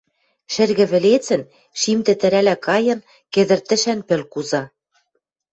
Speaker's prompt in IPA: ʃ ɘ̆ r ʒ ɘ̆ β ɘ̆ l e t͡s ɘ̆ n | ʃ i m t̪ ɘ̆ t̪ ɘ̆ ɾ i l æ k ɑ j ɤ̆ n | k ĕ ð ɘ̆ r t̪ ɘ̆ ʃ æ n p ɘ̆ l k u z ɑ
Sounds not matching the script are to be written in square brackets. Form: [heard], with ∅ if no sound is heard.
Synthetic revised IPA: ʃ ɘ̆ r [ɣ] ɘ̆ β ɘ̆ l e t͡s ɘ̆ n | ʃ i m t̪ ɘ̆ t̪ ɘ̆ ɾ [æ] l æ k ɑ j ɤ̆ n | k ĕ ð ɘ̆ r t̪ ɘ̆ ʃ æ n p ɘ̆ l k u z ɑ